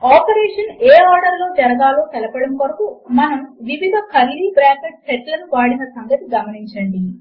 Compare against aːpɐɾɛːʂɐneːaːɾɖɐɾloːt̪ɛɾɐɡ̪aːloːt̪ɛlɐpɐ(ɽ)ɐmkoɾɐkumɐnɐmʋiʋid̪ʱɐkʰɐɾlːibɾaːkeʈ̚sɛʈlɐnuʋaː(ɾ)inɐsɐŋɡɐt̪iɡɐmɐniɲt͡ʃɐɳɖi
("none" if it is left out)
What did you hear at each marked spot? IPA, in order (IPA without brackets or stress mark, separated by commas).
ɽ, ɽ